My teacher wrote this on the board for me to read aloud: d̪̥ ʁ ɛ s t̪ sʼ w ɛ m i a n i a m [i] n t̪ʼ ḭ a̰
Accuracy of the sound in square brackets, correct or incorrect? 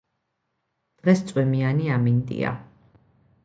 correct